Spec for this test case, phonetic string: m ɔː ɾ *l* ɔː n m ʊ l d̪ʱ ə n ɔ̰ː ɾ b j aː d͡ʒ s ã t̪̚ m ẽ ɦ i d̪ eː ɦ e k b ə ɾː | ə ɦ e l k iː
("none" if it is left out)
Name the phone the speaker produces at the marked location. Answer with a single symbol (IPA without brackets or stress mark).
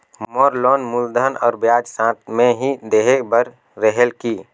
l